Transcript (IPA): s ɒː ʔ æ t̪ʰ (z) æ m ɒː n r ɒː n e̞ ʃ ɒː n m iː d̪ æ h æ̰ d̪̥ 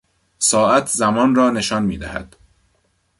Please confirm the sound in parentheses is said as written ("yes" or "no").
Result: yes